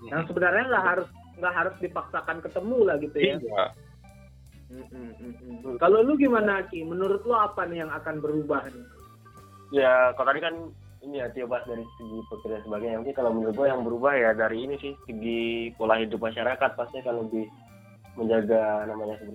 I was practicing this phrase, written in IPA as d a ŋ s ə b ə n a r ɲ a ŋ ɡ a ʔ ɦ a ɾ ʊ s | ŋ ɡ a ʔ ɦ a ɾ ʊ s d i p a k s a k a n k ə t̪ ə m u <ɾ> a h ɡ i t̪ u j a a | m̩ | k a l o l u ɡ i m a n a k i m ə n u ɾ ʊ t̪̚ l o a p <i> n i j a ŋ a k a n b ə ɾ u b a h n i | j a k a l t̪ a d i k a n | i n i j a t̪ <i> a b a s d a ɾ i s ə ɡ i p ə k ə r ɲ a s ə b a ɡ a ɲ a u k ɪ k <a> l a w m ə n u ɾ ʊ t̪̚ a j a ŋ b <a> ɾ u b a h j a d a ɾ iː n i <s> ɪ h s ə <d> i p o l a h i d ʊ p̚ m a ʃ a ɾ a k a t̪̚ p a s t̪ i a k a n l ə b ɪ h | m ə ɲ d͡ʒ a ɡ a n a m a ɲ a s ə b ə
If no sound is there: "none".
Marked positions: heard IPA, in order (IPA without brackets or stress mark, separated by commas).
l, a, i, a, ə, s, ɡ